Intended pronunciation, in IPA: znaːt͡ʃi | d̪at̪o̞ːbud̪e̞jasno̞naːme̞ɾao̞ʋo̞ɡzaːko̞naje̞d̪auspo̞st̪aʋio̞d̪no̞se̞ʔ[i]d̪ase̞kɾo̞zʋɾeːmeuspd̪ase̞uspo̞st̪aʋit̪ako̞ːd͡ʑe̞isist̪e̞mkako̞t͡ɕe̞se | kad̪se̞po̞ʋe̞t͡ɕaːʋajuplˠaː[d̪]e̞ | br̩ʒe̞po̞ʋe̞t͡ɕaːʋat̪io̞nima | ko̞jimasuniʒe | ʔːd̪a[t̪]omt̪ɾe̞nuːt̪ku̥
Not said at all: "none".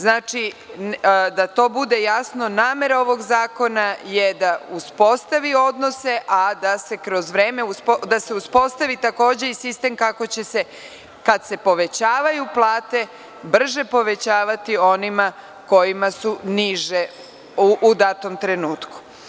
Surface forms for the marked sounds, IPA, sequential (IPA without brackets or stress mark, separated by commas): a, t̪, t̪